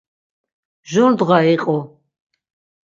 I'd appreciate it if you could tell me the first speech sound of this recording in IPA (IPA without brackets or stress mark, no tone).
ʒ